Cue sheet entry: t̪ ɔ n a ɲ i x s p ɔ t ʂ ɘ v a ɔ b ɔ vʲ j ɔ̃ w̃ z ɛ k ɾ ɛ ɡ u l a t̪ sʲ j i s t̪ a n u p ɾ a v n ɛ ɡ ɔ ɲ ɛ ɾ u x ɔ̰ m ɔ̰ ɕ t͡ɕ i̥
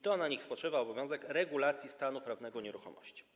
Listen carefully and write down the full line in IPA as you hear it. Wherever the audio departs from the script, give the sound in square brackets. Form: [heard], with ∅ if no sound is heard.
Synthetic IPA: t̪ ɔ n a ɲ i x s p ɔ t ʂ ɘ v a ɔ b ɔ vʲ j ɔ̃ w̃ z ɛ k ɾ ɛ ɡ u l a t̪ sʲ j i s t̪ a n u p ɾ a v n ɛ ɡ ɔ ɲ ɛ ɾ u x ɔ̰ m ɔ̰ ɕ t͡ɕ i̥